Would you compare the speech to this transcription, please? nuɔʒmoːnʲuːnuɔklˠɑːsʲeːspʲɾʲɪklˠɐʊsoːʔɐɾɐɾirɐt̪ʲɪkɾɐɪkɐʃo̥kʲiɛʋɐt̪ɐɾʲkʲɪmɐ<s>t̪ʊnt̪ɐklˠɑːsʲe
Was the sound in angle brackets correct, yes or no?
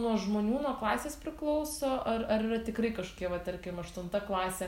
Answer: no